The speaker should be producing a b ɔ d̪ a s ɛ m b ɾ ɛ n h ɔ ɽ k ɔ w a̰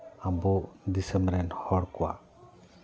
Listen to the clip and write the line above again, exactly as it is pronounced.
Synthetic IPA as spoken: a b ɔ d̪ i s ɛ m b ɾ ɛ n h ɔ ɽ k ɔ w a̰